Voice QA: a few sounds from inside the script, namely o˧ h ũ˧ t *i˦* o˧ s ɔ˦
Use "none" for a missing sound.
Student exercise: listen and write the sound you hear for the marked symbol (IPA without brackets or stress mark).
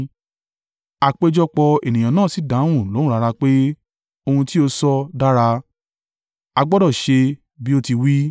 i˦